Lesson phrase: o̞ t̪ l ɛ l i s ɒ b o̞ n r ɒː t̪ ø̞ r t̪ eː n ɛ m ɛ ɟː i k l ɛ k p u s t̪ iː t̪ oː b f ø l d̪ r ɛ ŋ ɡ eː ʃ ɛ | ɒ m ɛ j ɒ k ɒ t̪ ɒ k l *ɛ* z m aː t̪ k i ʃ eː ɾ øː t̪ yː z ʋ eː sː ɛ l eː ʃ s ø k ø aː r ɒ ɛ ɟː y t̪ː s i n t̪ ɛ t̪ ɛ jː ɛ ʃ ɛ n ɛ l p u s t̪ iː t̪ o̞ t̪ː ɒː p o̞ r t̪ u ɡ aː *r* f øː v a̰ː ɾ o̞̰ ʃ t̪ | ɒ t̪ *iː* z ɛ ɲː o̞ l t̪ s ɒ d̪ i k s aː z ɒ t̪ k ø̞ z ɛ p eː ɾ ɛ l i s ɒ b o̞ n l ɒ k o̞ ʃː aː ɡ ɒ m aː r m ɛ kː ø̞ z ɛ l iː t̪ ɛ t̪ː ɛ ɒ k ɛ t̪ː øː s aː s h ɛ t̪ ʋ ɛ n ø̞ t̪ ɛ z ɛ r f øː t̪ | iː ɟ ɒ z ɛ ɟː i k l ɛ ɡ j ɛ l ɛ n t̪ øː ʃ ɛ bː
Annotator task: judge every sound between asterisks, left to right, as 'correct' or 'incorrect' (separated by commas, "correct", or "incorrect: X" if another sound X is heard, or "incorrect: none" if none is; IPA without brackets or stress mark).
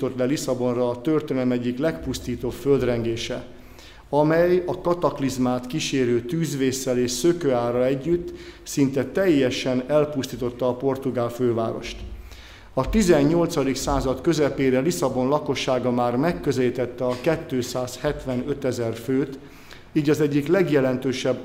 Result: incorrect: i, incorrect: l, incorrect: i